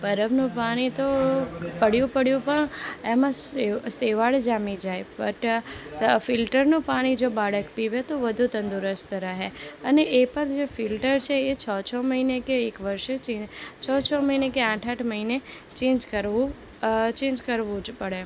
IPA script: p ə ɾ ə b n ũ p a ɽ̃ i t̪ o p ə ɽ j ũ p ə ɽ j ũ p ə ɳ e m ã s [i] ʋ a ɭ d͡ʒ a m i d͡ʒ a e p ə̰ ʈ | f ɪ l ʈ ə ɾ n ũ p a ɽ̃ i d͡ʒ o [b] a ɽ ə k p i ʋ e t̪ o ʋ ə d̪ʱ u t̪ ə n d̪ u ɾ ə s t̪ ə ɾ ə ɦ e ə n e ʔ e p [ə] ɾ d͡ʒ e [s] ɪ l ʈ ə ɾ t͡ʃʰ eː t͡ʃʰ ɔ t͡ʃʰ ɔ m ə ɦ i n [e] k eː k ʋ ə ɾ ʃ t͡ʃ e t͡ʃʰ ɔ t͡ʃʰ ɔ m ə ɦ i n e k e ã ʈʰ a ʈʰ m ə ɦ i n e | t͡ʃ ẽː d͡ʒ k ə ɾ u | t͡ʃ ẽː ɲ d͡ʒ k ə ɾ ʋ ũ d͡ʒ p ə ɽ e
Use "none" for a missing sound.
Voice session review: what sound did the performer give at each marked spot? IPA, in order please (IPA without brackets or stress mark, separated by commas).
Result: e, b, ə, f, e